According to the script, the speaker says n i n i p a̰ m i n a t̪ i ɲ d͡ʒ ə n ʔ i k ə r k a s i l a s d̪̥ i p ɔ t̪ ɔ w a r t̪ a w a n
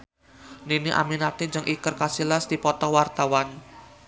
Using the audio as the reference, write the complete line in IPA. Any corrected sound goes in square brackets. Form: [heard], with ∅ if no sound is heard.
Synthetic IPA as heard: n i n i [ʔ] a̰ m i n a t̪ i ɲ d͡ʒ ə [ŋ] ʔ i k ə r k a s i l a s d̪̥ i p ɔ t̪ ɔ w a r t̪ a w a n